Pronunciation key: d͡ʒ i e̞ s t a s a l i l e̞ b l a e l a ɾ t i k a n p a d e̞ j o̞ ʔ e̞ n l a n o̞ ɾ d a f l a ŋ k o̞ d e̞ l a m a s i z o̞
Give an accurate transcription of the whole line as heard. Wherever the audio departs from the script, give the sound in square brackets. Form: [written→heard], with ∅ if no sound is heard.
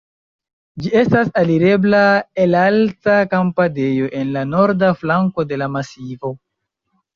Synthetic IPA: d͡ʒ i e̞ s t a s a l i [l→ɾ] e̞ b l a e l a [ɾ→l] t [i→a] k a [n→m] p a d e̞ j o̞ ʔ e̞ n l a n o̞ ɾ d a f l a ŋ k o̞ d e̞ l a m a s i [z→v] o̞